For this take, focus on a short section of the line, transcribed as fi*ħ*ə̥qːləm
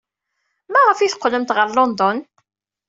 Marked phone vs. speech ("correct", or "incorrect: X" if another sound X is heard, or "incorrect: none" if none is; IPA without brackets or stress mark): incorrect: θ